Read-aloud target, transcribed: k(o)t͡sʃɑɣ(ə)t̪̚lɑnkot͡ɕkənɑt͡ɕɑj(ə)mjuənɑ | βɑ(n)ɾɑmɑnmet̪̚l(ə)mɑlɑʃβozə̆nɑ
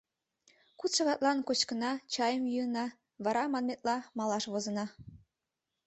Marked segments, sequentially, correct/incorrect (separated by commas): incorrect, incorrect, correct, incorrect, incorrect